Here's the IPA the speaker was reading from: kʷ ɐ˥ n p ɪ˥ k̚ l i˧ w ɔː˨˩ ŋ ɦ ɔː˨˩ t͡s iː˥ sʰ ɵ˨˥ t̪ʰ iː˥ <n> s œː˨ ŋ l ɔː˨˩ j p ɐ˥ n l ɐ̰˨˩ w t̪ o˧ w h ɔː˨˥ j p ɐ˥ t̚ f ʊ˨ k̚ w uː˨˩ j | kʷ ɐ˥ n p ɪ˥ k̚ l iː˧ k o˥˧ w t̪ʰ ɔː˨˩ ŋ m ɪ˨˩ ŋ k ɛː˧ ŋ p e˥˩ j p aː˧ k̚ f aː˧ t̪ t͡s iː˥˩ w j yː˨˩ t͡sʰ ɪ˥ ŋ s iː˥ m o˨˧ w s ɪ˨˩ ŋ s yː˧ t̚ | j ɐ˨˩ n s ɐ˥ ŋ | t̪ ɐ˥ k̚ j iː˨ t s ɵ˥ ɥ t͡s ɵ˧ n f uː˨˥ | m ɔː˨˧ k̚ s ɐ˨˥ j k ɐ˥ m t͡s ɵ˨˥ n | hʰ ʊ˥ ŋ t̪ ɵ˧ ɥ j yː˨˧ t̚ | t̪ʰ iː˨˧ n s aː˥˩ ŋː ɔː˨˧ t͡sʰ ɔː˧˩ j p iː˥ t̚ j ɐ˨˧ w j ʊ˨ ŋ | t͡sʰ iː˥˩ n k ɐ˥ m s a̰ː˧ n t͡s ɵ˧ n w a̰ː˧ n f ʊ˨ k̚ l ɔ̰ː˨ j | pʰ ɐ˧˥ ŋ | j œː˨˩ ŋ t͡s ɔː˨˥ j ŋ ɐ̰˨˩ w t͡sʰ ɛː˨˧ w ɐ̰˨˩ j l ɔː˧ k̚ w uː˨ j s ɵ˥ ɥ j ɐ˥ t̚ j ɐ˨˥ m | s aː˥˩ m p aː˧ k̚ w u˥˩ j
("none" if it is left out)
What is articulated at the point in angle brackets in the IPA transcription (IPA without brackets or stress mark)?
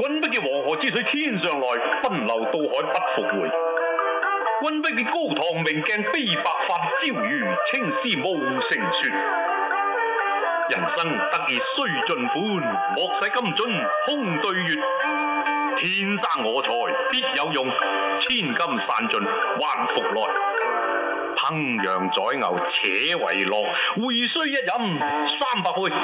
n